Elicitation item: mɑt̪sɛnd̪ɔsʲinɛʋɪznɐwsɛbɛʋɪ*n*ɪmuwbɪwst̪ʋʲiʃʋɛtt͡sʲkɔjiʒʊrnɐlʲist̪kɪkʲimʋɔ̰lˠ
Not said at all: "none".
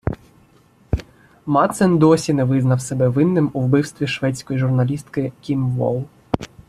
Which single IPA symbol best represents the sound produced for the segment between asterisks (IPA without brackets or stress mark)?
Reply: nː